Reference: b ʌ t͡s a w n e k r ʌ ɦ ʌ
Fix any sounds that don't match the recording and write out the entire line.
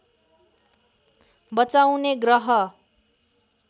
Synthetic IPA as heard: b ʌ t͡s a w n e ɡ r ʌ ɦ ʌ